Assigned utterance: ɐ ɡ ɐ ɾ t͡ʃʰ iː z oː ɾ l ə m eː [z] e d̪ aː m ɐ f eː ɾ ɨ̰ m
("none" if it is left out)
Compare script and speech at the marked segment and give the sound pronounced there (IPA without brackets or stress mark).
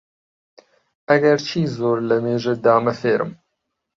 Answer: ʒ